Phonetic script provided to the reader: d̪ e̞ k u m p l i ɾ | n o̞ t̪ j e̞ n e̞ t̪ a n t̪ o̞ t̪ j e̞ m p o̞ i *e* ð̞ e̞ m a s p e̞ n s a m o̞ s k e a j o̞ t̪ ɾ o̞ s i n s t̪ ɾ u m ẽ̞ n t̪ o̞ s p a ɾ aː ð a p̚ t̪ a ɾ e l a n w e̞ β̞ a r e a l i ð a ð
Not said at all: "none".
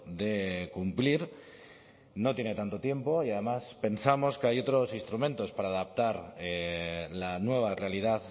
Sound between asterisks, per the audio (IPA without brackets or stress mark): a